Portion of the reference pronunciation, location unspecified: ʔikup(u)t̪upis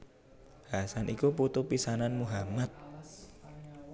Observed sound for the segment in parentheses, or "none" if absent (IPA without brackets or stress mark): u